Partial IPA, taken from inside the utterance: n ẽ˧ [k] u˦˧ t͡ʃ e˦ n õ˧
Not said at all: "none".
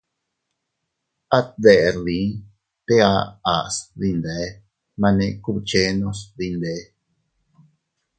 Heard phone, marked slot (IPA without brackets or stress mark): k